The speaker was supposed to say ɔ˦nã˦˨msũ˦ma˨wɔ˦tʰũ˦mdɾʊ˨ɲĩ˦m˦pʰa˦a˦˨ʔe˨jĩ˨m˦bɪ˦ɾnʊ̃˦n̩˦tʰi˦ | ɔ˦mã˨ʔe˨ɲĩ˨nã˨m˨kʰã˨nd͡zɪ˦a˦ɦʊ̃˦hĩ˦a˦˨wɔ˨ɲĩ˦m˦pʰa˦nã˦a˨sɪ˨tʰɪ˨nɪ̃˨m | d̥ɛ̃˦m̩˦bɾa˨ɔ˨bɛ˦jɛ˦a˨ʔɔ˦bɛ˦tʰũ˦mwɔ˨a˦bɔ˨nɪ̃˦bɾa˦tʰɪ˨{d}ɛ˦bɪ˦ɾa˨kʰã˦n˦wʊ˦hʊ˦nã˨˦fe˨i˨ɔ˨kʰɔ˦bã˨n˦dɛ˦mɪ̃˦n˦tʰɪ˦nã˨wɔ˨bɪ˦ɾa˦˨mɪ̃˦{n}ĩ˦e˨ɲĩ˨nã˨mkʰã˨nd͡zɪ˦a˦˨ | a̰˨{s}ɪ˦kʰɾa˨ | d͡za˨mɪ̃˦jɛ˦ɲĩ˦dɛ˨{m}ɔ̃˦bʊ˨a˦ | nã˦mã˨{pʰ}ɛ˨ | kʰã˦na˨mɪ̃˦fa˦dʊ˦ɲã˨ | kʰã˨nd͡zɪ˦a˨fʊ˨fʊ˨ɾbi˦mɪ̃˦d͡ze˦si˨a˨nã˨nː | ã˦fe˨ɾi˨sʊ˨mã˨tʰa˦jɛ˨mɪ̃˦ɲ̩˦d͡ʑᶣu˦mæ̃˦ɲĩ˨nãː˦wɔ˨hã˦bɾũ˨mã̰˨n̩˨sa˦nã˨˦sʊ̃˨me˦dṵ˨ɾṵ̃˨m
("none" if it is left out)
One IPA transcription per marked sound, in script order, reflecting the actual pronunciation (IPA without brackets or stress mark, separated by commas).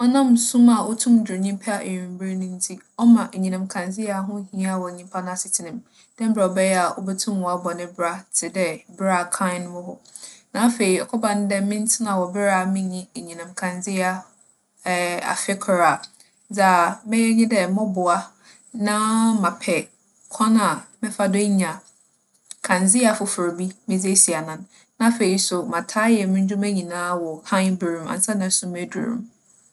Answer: d, ɲ, f, m, pʰ